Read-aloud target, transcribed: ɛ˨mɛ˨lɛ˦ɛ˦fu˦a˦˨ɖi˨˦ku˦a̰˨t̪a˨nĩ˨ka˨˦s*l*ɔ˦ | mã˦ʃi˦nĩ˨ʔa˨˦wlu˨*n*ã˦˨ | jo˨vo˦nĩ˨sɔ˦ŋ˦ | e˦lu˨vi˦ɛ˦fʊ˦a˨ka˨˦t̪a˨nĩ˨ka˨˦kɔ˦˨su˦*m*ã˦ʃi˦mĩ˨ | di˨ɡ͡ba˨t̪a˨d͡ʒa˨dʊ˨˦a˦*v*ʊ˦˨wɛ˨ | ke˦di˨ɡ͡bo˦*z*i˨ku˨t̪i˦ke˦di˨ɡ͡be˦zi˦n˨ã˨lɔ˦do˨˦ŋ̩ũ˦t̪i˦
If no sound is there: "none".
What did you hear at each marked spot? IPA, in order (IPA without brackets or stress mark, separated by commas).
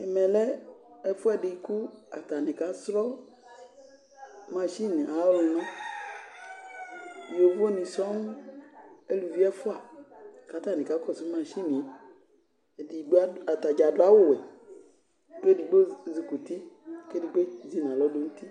ɾ, n, m, w, z